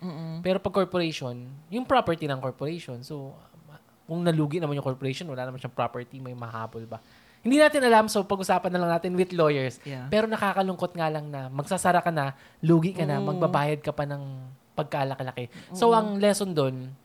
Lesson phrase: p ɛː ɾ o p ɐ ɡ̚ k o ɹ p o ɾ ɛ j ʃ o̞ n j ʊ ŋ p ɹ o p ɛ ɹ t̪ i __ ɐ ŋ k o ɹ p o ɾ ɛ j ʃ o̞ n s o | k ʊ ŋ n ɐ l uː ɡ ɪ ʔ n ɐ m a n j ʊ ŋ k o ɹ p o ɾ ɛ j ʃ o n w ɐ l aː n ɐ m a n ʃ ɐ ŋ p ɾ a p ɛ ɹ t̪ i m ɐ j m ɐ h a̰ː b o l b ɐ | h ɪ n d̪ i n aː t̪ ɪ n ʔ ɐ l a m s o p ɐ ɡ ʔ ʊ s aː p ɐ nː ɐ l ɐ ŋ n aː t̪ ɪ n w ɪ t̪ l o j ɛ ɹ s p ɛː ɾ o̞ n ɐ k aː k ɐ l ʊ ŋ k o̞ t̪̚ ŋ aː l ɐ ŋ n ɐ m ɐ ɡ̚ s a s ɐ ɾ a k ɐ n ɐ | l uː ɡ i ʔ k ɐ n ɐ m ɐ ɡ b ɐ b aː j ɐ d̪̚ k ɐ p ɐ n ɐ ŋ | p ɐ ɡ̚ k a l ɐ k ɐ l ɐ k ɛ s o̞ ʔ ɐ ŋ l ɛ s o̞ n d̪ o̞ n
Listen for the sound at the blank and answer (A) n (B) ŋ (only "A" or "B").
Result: A